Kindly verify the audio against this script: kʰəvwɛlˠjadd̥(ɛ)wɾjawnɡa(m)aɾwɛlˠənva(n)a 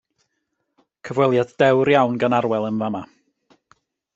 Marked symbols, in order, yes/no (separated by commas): yes, no, no